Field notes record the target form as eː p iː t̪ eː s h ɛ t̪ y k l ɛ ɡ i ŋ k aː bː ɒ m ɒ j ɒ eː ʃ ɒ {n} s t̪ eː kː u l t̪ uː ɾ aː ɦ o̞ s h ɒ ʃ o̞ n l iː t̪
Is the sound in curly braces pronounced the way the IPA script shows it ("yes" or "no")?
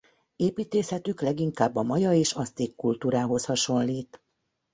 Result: no